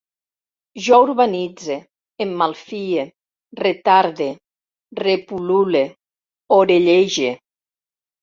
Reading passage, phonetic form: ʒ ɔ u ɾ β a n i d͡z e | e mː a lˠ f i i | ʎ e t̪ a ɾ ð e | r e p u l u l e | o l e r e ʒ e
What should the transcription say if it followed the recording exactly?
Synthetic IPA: ʒ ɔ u ɾ β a n i d͡z e | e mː a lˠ f i e | r e t̪ a ɾ ð e | r e p u l u l e | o ɾ e ʎ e ʒ e